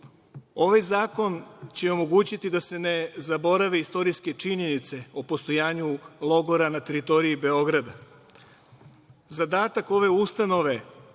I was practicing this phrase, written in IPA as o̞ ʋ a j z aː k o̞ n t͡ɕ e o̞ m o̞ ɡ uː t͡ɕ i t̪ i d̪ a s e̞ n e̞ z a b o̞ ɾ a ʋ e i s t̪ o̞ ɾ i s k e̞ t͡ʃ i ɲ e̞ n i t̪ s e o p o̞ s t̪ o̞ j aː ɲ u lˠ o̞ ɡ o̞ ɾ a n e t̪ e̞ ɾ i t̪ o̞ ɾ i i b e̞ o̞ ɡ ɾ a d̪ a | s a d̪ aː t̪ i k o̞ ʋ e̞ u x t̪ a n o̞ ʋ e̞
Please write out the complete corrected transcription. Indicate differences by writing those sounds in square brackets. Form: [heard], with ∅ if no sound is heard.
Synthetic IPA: o̞ ʋ a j z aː k o̞ n t͡ɕ e o̞ m o̞ ɡ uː t͡ɕ i t̪ i d̪ a s e̞ n e̞ z a b o̞ ɾ a ʋ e i s t̪ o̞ ɾ i s k e̞ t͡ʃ i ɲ e̞ n i t̪ s e o p o̞ s t̪ o̞ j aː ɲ u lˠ o̞ ɡ o̞ ɾ a n [a] t̪ e̞ ɾ i t̪ o̞ ɾ i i b e̞ o̞ ɡ ɾ a d̪ a | [z] a d̪ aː t̪ [a] k o̞ ʋ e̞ u [s] t̪ a n o̞ ʋ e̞

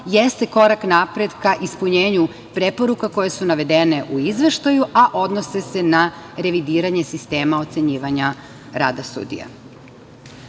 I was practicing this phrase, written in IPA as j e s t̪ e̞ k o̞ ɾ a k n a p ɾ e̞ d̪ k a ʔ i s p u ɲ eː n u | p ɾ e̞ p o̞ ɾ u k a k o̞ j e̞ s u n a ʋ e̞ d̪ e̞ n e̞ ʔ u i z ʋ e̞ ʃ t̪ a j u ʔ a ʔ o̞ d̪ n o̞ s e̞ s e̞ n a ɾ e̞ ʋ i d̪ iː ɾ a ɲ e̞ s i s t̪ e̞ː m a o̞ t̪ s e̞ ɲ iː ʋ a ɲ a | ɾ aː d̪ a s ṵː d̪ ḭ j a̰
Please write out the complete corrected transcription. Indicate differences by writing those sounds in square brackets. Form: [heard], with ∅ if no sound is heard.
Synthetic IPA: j e s t̪ e̞ k o̞ ɾ a k n a p ɾ e̞ d̪ k a ʔ i s p u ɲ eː [ɲ] u | p ɾ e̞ p o̞ ɾ u k a k o̞ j e̞ s u n a ʋ e̞ d̪ e̞ n e̞ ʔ u i z ʋ e̞ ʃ t̪ a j u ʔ a ʔ o̞ d̪ n o̞ s e̞ s e̞ n a ɾ e̞ ʋ i d̪ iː ɾ a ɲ e̞ s i s t̪ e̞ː m a o̞ t̪ s e̞ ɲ iː ʋ a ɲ a | ɾ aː d̪ a s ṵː d̪ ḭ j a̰

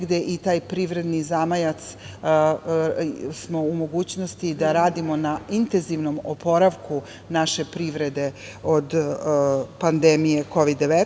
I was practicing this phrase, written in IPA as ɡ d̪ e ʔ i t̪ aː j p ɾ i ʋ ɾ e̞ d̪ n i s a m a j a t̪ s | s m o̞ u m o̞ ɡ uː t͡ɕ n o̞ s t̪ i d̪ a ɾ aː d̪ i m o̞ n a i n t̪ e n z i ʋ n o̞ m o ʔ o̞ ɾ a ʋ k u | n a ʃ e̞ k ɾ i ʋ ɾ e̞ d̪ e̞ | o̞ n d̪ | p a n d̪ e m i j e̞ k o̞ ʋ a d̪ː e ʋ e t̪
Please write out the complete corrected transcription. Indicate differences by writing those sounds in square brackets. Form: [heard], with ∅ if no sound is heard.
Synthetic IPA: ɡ d̪ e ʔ i t̪ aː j p ɾ i ʋ ɾ e̞ d̪ n i [z] a m a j a t̪ s | s m o̞ u m o̞ ɡ uː t͡ɕ n o̞ s t̪ i d̪ a ɾ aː d̪ i m o̞ n a i n t̪ e n z i ʋ n o̞ m o [p] o̞ ɾ a ʋ k u | n a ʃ e̞ [p] ɾ i ʋ ɾ e̞ d̪ e̞ | o̞ [∅] d̪ | p a n d̪ e m i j e̞ k o̞ ʋ [i] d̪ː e ʋ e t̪

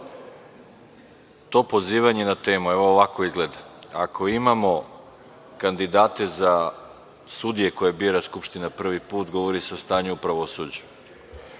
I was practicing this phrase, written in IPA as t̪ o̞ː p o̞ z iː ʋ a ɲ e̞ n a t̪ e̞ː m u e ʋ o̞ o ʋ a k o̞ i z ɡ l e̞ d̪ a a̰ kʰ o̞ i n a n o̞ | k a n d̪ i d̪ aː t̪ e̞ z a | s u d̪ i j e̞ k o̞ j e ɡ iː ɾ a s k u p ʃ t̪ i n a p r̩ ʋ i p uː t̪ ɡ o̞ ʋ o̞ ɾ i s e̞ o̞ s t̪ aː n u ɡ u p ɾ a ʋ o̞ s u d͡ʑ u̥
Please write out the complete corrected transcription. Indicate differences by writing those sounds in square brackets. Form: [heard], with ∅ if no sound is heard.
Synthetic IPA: t̪ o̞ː p o̞ z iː ʋ a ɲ e̞ n a t̪ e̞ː m u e ʋ o̞ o ʋ a k o̞ i z ɡ l e̞ d̪ a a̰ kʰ o̞ i [m] a [m] o̞ | k a n d̪ i d̪ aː t̪ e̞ z a | s u d̪ i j e̞ k o̞ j e [b] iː ɾ a s k u p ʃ t̪ i n a p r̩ ʋ i p uː t̪ ɡ o̞ ʋ o̞ ɾ i s e̞ o̞ s t̪ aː [ɲ] u [∅] u p ɾ a ʋ o̞ s u d͡ʑ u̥

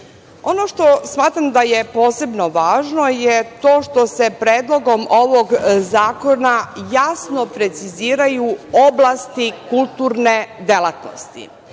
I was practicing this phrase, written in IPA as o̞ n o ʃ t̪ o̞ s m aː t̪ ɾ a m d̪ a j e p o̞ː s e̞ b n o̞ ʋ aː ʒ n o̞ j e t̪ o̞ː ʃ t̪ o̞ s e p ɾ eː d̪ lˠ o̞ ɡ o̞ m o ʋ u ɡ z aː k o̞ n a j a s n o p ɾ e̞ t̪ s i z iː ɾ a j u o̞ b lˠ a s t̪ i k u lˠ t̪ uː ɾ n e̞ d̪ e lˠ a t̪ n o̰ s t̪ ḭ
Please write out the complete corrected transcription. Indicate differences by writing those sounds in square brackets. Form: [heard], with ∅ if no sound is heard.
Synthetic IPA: o̞ n o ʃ t̪ o̞ s m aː t̪ ɾ a m d̪ a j e p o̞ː s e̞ b n o̞ ʋ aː ʒ n o̞ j e t̪ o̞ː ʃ t̪ o̞ s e p ɾ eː d̪ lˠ o̞ ɡ o̞ m o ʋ [o] ɡ z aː k o̞ n a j a s n o p ɾ e̞ t̪ s i z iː ɾ a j u o̞ b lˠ a s t̪ i k u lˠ t̪ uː ɾ n e̞ d̪ e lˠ a t̪ n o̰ s t̪ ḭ

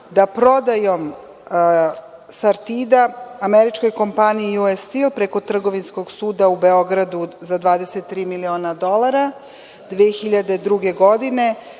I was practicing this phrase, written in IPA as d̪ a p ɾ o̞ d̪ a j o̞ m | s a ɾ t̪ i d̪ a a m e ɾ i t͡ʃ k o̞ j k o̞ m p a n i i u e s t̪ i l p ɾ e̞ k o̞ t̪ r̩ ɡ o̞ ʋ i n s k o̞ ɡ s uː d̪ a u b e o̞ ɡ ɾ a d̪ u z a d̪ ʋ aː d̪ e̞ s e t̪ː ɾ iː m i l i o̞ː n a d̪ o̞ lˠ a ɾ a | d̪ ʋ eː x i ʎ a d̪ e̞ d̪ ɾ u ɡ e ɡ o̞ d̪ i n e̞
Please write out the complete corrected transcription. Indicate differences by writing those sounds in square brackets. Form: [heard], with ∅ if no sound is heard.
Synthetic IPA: d̪ a p ɾ o̞ d̪ a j o̞ m | s a ɾ t̪ i d̪ a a m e ɾ i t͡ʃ k o̞ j k o̞ m p a n i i u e s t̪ i l p ɾ e̞ k o̞ t̪ r̩ ɡ o̞ ʋ i n s k o̞ ɡ s uː d̪ a u b e o̞ ɡ ɾ a d̪ u z a d̪ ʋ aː d̪ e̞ s e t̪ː ɾ iː m i l i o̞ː n a d̪ o̞ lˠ a ɾ a | d̪ ʋ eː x i ʎ a d̪ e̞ d̪ ɾ u ɡ e ɡ o̞ d̪ i n e̞

